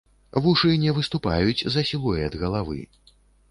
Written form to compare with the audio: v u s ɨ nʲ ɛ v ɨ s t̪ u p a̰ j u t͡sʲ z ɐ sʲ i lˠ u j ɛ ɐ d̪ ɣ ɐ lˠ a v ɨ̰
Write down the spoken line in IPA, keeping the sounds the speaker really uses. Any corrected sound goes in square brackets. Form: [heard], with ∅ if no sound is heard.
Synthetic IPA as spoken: v u [ʂ] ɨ nʲ ɛ v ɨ s t̪ u p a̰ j u t͡sʲ z ɐ sʲ i lˠ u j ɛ ɐ d̪ ɣ ɐ lˠ a v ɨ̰